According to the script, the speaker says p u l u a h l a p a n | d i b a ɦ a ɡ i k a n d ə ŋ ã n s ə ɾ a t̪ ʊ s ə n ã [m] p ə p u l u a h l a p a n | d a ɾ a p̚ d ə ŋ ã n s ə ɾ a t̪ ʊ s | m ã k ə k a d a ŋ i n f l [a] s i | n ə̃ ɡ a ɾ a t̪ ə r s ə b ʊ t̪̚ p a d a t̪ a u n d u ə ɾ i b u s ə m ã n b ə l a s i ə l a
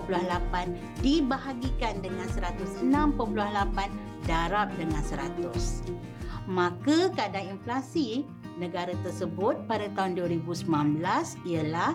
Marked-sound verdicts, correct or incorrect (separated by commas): correct, correct